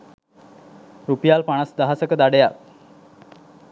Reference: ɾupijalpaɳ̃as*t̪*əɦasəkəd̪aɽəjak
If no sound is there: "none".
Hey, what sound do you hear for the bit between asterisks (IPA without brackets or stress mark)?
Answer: d̪